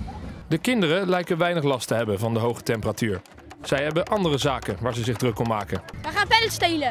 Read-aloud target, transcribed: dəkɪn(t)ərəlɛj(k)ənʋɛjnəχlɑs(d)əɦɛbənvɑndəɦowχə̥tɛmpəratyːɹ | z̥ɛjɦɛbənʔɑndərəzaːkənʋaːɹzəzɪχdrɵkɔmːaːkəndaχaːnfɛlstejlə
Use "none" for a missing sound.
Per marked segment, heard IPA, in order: d, k, t

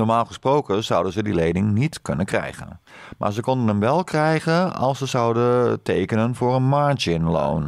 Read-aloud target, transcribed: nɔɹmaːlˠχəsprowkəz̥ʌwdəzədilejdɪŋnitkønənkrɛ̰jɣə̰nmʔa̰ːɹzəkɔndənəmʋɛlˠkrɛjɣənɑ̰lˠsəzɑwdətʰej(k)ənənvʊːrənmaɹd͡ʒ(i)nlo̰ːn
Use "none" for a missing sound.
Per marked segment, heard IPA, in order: k, ɪ

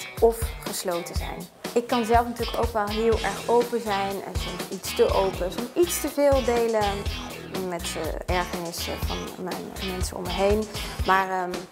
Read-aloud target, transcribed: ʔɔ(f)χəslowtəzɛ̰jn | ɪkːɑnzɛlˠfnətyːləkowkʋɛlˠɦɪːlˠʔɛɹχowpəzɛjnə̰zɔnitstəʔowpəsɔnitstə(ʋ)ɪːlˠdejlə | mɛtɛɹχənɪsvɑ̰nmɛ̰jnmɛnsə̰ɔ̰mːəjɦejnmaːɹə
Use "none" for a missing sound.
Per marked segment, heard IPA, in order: f, v

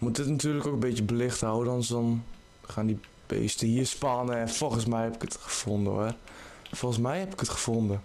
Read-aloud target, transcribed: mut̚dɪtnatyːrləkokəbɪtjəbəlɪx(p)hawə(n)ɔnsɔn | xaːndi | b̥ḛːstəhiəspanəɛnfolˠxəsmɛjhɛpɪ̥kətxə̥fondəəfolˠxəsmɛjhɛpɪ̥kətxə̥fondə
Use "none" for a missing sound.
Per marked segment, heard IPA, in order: t, d

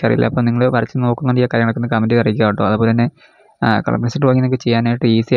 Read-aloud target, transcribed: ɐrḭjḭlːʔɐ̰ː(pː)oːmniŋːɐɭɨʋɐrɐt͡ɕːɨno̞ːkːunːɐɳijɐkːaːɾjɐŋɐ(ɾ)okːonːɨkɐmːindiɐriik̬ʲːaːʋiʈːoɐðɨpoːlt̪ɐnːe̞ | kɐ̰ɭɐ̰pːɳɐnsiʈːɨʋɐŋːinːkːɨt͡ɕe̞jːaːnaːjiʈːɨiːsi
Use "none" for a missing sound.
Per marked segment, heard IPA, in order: pː, ɭ

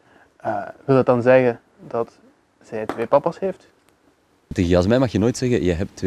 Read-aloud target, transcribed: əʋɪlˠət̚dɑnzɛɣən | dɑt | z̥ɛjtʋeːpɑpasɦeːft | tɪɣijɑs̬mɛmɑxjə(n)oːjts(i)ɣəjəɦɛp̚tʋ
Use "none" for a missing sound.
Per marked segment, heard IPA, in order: n, ɛ

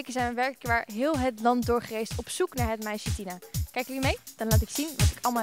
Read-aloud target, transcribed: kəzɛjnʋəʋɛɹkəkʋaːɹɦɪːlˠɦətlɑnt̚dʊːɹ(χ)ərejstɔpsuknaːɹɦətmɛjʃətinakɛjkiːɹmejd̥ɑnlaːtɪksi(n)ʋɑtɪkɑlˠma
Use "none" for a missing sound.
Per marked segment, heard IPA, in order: χ, n

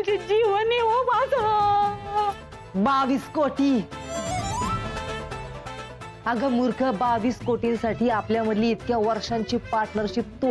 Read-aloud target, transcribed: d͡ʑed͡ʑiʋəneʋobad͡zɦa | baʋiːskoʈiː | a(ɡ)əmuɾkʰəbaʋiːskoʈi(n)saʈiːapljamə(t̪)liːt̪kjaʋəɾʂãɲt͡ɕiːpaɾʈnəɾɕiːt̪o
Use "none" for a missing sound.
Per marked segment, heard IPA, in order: ɡ, n, d̪

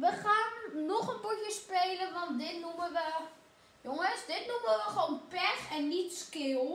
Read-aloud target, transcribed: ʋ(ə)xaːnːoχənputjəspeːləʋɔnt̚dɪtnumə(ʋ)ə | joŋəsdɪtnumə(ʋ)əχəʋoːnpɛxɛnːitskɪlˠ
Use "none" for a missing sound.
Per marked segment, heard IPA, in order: ə, ʋ, ʋ

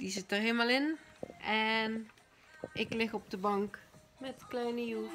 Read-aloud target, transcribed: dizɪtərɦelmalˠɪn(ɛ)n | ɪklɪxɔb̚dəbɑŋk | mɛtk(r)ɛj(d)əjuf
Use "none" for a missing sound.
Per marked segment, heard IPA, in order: ɛ, l, n

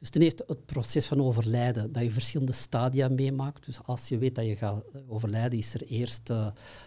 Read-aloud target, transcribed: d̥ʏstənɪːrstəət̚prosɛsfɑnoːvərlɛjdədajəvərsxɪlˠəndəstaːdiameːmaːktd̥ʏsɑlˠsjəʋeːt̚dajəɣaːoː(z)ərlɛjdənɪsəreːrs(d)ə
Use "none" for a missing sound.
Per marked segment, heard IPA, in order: v, t

